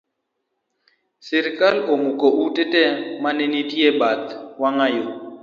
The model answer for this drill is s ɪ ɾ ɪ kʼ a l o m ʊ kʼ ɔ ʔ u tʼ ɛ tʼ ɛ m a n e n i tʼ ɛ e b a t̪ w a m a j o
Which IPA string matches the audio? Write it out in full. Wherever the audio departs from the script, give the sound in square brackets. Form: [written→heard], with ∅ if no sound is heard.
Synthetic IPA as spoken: s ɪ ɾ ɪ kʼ a l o m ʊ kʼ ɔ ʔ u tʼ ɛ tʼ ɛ m a n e n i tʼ [ɛ→i] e b a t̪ w a [m→ŋ] a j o